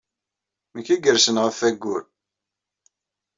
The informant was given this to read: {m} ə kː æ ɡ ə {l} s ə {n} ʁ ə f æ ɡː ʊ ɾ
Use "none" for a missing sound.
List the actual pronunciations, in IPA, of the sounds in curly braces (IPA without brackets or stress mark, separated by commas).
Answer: m, ɾ, n